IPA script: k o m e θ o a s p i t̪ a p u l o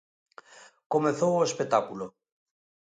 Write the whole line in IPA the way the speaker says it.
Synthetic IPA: k o m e θ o e s p e t̪ a k u l o